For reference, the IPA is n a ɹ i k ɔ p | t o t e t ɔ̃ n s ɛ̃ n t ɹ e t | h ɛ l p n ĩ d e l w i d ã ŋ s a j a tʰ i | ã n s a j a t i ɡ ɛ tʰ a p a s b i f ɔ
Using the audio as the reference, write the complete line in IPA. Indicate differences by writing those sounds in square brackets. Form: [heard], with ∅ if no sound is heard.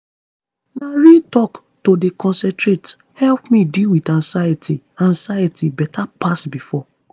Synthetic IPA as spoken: n a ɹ i [t] ɔ [k] | t o [d] e [k] ɔ̃ n s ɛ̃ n t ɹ e t | h ɛ l p [m] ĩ d [i] l w i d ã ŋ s a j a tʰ i | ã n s a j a t i [b] ɛ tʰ a p a s b i f ɔ